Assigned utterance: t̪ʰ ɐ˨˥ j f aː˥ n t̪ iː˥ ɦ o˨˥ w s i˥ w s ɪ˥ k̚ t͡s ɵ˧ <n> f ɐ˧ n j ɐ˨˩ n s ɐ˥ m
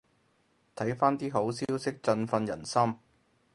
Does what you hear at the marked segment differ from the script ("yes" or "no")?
no